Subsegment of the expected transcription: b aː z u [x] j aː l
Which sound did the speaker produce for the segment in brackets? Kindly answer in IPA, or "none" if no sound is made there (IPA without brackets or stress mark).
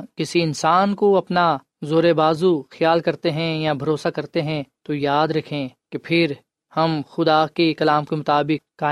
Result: x